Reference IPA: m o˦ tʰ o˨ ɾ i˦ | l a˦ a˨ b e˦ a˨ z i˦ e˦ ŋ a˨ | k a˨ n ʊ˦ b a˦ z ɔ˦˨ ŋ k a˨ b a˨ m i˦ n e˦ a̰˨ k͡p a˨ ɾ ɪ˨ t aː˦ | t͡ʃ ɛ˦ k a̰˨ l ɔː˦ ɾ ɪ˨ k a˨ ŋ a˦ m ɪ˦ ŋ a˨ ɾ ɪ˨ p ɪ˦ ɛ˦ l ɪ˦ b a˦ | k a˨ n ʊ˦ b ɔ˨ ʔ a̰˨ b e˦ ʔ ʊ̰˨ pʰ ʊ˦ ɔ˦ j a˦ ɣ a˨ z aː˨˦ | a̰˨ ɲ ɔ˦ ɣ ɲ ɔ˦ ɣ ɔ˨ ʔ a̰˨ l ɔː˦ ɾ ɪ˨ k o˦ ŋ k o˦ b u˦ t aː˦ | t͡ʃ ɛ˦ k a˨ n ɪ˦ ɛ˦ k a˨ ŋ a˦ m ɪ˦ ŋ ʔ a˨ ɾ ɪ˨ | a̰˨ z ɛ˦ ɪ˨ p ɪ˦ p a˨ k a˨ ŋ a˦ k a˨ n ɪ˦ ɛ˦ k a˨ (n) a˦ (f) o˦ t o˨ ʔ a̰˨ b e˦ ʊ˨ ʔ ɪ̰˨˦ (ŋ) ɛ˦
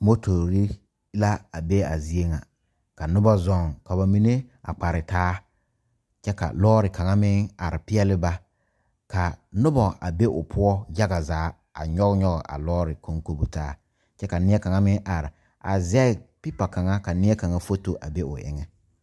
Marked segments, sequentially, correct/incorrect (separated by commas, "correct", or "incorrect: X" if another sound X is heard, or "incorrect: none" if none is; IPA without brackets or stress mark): incorrect: ŋ, correct, correct